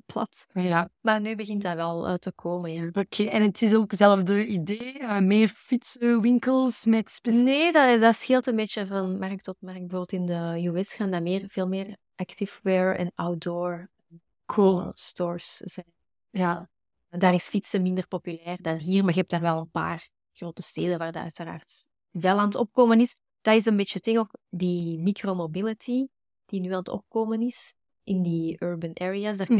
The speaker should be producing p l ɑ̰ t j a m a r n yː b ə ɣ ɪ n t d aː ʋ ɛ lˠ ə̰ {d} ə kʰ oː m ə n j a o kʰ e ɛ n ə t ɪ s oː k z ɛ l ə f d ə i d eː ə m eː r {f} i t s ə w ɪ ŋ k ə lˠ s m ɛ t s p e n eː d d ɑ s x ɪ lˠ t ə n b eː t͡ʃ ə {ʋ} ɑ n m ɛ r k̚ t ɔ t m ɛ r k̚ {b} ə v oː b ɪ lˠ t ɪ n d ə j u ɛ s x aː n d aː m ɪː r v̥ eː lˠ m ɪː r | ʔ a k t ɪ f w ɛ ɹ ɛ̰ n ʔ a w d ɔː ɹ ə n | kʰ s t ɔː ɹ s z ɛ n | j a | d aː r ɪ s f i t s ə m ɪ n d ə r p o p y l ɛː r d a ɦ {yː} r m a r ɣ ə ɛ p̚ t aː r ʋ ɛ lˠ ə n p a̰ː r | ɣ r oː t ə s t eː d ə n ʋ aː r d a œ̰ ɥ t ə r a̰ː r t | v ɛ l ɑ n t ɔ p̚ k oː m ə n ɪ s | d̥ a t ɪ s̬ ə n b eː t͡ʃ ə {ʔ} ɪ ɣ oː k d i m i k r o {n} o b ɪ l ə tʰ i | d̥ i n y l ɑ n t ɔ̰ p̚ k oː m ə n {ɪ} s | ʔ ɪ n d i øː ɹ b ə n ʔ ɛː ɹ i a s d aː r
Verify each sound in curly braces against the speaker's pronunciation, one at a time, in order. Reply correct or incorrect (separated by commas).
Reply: incorrect, correct, incorrect, correct, incorrect, incorrect, incorrect, correct